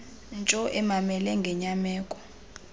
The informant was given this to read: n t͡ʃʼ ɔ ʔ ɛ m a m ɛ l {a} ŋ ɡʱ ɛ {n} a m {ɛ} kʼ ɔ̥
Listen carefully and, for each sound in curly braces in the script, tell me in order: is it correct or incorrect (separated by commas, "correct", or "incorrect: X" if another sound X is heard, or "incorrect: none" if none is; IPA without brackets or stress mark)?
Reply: incorrect: ɛ, incorrect: ɲ, incorrect: ɛː